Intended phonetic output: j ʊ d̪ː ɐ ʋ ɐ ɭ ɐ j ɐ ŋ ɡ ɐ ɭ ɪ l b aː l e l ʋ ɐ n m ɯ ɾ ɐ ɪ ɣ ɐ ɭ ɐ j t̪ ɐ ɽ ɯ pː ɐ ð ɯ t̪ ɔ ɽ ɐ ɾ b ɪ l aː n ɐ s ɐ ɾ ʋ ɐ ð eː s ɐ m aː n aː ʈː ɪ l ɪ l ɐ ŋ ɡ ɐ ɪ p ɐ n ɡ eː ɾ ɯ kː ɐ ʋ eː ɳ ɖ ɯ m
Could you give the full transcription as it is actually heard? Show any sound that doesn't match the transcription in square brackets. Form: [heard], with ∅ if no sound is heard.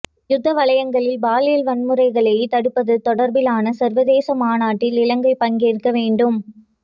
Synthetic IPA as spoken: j ʊ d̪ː ɐ ʋ ɐ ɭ ɐ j ɐ ŋ ɡ ɐ ɭ ɪ l b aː l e l ʋ ɐ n m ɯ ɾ ɐ ɪ ɣ ɐ ɭ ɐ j t̪ ɐ ɽ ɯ pː ɐ ð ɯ t̪ ɔ ɽ ɐ ɾ b ɪ l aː n ɐ s ɐ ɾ ʋ ɐ ð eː s ɐ m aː n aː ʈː ɪ l ɪ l ɐ ŋ ɡ ɐ ɪ p ɐ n ɡ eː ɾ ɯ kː ɐ ʋ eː ɳ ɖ ɯ m